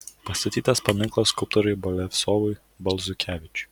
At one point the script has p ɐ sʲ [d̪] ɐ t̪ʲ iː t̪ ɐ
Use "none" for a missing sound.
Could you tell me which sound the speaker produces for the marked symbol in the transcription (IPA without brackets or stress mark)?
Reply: t̪